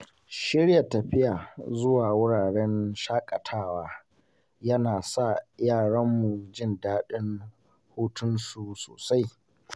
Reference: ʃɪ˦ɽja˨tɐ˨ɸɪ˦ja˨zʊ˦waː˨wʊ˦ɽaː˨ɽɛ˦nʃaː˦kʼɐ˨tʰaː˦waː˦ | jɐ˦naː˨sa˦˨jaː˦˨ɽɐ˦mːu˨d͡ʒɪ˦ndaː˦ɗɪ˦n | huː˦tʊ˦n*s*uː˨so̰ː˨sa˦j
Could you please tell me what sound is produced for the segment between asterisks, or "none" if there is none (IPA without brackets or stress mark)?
s